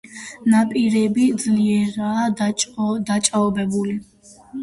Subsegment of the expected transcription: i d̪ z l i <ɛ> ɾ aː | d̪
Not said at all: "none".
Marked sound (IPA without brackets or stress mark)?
ɛ